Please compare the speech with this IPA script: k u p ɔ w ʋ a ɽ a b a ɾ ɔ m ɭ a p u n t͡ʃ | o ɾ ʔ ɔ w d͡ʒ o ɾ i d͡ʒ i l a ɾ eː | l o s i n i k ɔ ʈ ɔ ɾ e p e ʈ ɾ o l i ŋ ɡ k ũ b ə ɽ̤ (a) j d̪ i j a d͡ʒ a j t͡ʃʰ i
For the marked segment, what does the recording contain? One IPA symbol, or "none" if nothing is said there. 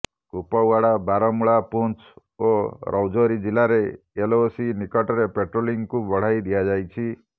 a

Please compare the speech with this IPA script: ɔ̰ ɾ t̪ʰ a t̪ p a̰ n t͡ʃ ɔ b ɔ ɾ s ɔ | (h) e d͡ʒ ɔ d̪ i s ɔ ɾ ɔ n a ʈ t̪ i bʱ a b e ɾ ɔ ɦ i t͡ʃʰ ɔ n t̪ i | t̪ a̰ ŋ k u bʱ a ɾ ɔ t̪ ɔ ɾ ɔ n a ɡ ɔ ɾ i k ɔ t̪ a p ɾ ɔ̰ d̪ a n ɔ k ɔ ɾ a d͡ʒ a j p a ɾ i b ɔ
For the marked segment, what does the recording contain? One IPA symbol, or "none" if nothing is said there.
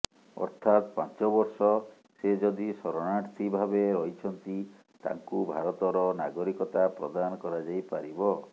s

